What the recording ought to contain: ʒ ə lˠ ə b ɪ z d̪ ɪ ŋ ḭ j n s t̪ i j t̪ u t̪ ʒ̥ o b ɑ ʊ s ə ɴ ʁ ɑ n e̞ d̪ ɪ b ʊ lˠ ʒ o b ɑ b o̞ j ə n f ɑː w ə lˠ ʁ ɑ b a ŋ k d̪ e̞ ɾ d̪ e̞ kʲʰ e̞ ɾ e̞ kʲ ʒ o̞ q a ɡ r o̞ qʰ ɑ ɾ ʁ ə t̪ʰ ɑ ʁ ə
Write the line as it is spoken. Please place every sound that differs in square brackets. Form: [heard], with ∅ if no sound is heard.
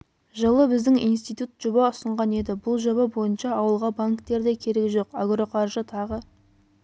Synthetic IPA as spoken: ʒ ə lˠ ə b ɪ z d̪ ɪ ŋ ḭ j n s t̪ i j t̪ u t̪ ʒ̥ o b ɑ ʊ s ə ɴ ʁ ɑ n e̞ d̪ ɪ b ʊ lˠ ʒ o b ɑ b o̞ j ə n [ʃ] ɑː w ə lˠ ʁ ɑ b a ŋ k [t̪] e̞ ɾ d̪ e̞ kʲʰ e̞ ɾ e̞ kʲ ʒ o̞ q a ɡ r o̞ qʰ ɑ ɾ [ʒ] ə t̪ʰ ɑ ʁ ə